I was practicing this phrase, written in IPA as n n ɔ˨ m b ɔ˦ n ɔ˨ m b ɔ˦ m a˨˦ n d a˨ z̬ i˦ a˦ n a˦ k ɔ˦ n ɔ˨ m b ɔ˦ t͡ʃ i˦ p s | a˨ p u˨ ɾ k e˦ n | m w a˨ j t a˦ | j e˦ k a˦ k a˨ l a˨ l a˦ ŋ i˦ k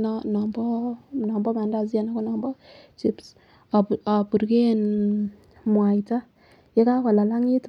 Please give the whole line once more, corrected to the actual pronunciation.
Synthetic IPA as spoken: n n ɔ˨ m b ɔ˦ n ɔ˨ m b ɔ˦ m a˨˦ n d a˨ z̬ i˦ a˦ n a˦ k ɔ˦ n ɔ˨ m b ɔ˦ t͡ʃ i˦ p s | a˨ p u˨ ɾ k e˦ n | m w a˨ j t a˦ | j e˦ k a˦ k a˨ l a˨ l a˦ ŋ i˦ t